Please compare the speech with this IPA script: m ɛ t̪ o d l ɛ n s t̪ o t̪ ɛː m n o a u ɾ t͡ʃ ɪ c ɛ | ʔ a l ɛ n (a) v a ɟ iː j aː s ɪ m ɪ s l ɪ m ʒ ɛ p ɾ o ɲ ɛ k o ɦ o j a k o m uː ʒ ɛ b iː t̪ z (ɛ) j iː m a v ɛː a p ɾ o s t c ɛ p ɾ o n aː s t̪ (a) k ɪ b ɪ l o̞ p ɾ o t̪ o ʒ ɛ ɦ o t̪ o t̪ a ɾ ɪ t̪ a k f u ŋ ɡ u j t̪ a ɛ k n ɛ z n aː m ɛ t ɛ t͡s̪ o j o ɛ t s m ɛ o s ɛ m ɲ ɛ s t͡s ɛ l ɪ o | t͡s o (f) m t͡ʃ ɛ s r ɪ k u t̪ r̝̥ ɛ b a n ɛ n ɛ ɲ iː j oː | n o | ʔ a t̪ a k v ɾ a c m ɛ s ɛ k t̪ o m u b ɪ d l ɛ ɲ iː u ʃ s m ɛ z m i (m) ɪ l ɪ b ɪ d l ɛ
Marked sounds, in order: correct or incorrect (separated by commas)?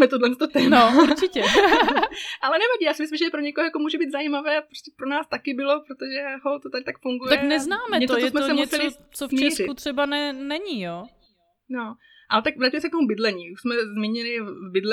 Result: incorrect, incorrect, correct, correct, incorrect